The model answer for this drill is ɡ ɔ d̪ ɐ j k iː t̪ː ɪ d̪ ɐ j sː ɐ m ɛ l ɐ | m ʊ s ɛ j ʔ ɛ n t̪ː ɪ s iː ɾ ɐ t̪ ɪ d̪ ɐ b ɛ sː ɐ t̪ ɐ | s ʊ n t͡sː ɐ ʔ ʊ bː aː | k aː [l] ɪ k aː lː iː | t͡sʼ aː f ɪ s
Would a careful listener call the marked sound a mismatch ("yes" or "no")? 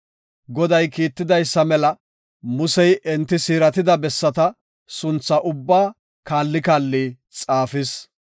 yes